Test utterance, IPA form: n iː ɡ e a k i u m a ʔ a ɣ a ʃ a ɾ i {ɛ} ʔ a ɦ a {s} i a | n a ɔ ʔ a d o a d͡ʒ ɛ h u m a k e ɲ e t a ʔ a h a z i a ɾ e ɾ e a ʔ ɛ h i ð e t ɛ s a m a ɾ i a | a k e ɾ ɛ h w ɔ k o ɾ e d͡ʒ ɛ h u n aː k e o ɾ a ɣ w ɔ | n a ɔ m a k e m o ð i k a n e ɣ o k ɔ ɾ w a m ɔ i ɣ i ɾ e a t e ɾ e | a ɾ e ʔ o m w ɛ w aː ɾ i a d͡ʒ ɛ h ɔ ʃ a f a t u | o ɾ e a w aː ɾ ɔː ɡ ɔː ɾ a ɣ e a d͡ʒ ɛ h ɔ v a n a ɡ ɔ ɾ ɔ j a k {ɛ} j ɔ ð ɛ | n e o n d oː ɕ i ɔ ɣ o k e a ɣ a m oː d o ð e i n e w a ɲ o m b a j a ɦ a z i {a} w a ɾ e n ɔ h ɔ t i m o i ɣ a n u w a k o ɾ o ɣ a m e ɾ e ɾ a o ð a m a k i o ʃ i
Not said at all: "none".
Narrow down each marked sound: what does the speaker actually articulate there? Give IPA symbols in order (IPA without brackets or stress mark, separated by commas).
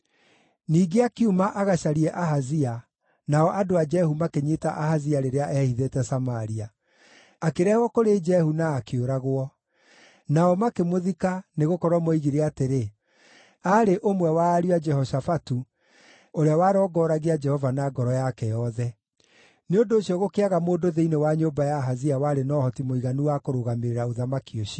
ɛ, z, ɛ, a